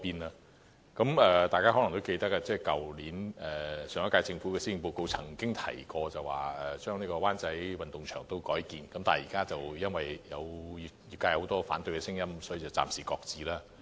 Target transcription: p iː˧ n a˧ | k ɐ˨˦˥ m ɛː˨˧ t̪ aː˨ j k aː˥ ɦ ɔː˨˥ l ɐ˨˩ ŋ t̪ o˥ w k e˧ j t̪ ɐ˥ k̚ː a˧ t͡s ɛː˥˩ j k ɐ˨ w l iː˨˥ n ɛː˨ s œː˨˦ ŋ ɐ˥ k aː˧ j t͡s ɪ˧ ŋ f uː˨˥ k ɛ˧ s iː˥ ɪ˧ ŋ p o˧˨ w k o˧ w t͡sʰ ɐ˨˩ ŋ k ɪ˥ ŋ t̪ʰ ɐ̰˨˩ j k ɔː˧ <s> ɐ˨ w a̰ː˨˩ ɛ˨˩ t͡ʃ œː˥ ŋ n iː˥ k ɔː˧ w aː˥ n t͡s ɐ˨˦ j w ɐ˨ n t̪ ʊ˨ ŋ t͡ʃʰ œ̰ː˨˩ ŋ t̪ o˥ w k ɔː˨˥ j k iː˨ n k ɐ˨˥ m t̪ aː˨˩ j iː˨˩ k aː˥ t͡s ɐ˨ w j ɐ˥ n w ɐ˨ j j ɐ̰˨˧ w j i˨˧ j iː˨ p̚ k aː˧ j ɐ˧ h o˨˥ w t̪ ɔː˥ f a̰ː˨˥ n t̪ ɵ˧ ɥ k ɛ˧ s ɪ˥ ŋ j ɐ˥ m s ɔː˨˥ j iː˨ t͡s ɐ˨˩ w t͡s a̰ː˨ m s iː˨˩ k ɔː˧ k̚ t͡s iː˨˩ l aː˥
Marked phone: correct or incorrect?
incorrect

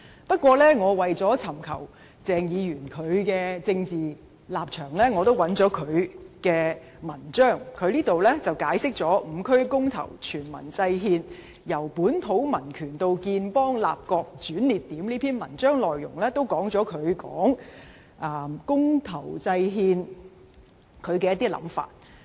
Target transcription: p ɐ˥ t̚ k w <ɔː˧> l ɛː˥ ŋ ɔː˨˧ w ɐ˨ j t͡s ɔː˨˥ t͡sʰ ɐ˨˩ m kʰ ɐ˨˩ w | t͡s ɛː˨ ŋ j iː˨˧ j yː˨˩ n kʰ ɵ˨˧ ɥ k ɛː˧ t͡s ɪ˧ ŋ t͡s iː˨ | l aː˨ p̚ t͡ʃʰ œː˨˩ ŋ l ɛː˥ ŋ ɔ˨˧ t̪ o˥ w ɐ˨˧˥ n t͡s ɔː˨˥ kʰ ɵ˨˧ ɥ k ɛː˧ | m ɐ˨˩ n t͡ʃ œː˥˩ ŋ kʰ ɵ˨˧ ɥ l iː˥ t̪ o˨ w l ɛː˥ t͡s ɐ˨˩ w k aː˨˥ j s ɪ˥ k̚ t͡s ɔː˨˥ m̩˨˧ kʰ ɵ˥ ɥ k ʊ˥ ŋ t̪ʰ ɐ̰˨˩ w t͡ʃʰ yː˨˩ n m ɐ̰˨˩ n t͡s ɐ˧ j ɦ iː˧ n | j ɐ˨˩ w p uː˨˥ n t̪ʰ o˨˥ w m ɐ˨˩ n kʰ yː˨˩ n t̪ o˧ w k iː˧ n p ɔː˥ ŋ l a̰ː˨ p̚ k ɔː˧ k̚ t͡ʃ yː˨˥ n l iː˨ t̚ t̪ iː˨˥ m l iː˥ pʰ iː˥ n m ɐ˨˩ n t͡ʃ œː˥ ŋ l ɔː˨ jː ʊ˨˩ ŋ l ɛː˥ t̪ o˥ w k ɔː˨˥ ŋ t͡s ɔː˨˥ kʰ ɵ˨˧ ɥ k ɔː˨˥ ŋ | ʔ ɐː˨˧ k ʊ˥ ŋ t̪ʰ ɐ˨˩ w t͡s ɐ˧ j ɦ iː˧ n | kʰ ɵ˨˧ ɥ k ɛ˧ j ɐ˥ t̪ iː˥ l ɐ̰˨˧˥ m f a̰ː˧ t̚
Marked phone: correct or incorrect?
correct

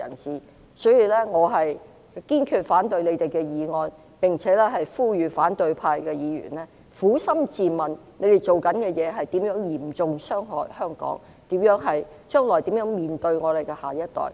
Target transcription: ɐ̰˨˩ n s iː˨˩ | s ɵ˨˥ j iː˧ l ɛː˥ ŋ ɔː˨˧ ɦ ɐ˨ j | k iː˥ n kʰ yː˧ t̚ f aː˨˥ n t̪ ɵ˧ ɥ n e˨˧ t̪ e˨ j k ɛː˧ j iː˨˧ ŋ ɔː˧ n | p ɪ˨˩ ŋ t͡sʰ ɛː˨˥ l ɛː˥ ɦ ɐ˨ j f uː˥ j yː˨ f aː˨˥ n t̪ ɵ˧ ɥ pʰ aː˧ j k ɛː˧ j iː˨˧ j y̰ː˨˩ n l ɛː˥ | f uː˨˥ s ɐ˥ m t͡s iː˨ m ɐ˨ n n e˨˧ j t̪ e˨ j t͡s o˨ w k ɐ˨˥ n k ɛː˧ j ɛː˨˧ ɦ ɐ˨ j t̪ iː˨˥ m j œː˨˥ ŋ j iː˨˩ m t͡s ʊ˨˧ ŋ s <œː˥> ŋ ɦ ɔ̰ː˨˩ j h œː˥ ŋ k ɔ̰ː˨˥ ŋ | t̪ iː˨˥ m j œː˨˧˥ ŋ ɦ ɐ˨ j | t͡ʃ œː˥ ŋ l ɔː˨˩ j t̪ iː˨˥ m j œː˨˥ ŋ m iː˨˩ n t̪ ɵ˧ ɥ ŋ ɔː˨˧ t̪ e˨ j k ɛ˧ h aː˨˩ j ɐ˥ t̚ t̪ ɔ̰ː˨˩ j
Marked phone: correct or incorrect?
correct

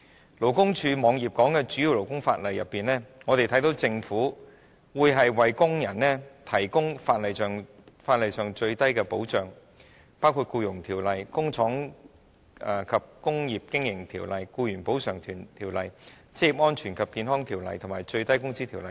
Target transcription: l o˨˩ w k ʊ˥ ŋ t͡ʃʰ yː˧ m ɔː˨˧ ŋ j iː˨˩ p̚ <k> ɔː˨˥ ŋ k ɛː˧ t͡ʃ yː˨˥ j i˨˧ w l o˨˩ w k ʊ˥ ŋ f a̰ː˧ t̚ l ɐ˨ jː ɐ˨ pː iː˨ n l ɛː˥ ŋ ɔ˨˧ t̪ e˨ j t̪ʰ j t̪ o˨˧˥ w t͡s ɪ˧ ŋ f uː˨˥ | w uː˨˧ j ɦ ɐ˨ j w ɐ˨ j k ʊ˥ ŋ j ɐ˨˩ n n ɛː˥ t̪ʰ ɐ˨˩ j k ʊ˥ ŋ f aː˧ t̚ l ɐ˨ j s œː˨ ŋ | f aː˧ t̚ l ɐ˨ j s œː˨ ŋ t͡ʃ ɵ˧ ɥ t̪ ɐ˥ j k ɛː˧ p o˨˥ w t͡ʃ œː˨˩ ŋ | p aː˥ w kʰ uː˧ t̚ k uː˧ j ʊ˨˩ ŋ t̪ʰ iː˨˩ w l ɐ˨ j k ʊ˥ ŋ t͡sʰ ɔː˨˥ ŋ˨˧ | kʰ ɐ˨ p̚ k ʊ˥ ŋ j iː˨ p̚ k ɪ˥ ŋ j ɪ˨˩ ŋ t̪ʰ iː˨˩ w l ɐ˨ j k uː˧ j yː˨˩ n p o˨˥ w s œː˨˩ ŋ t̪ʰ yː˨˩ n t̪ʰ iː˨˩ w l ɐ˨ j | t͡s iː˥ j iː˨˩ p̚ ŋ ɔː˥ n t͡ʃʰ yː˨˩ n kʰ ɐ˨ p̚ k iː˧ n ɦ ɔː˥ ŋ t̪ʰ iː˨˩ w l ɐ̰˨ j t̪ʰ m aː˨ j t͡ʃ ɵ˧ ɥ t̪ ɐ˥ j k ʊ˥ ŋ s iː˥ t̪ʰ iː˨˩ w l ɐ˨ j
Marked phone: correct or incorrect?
correct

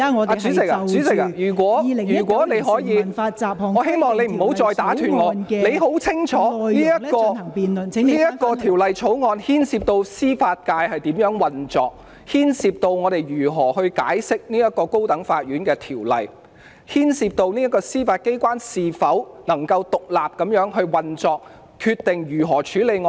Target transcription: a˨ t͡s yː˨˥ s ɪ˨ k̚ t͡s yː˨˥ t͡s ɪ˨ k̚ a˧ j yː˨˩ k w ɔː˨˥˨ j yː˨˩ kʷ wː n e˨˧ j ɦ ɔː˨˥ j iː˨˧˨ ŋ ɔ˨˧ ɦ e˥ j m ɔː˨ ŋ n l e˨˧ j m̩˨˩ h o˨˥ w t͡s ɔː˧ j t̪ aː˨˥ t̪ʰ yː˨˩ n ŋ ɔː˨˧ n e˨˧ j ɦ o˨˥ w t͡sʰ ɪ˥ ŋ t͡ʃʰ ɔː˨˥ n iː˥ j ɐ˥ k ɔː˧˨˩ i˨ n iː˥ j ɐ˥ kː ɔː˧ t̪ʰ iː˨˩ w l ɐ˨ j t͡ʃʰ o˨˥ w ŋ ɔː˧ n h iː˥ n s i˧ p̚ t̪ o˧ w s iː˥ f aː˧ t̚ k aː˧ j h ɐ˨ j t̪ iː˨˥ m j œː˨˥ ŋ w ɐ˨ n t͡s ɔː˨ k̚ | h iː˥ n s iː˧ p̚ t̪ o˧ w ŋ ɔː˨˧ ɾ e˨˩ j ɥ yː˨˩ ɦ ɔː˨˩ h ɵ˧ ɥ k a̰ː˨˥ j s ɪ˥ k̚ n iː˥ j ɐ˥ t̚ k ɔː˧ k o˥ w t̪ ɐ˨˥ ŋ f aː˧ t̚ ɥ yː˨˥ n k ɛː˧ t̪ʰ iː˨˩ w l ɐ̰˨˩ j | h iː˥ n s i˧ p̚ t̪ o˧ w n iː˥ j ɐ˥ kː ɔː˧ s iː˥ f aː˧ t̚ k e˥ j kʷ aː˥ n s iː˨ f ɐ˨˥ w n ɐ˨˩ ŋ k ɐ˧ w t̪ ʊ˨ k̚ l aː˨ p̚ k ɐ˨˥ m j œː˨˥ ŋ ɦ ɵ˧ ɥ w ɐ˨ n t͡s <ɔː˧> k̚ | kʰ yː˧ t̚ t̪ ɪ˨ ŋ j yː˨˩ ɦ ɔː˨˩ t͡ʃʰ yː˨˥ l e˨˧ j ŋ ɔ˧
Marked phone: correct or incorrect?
correct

